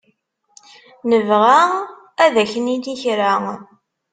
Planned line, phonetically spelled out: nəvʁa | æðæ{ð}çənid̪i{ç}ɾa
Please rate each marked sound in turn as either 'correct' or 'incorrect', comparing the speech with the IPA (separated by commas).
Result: incorrect, correct